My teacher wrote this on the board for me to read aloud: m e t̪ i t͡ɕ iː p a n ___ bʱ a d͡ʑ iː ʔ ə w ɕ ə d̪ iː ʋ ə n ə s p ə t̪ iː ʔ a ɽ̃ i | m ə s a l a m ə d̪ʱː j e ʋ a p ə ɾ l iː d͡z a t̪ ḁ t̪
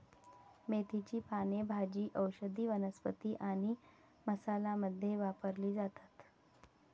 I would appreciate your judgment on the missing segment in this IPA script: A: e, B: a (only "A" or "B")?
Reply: A